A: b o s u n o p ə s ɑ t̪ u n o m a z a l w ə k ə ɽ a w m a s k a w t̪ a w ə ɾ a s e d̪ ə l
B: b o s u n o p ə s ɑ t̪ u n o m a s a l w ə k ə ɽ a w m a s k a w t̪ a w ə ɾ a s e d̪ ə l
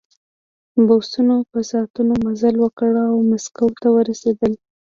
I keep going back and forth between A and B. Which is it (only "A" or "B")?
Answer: A